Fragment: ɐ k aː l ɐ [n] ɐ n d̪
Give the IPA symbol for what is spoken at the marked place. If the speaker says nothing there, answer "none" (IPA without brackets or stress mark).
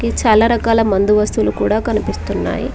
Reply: m